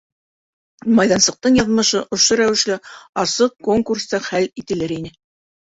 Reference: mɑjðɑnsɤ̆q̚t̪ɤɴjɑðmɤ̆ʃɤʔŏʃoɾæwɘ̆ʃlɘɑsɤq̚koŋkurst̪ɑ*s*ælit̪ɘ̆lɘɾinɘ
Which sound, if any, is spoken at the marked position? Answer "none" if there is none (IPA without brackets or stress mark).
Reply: χ